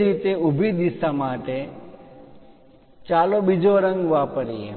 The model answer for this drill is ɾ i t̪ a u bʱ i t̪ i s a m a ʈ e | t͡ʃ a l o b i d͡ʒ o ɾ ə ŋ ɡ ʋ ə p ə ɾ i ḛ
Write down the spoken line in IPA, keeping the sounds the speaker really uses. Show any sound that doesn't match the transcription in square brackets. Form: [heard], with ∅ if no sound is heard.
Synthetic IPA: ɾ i t̪ [e] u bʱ i [d̪] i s a m a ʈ e | t͡ʃ a l o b i d͡ʒ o ɾ ə ŋ ɡ ʋ [a] p ə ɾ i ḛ